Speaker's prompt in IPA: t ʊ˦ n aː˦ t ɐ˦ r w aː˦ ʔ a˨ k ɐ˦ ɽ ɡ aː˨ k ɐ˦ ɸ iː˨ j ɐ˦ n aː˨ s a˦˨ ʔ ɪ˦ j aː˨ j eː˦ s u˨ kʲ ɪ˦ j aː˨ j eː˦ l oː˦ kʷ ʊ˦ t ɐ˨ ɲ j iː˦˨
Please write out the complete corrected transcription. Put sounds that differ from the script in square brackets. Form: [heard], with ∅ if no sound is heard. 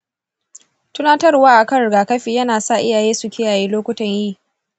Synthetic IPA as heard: t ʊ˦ n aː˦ t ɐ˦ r w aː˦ ʔ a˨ k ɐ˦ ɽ ɡ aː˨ k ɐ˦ ɸ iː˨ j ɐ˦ n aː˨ s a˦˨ ʔ ɪ˦ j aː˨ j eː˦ s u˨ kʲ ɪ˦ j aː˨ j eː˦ l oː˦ kʷ ʊ˦ t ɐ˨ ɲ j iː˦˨